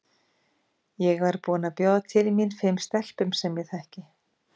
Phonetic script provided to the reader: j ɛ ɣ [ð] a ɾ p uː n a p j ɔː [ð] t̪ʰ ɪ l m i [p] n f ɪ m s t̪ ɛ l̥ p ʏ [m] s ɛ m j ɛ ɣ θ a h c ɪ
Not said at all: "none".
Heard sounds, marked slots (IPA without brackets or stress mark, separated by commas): v, ð, none, m